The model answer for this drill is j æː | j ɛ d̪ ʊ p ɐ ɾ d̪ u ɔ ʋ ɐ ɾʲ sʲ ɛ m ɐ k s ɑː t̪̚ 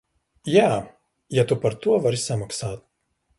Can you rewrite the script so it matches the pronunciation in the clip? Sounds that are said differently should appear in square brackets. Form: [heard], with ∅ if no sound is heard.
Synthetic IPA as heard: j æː | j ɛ [t̪] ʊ p ɐ ɾ [t̪] u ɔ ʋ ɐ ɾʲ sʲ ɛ m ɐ k s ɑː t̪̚